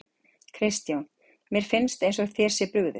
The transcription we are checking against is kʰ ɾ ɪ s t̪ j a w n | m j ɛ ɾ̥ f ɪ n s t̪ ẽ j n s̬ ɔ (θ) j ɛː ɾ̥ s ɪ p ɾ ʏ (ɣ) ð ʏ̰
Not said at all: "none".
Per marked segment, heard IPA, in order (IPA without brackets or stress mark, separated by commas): θ, ɣ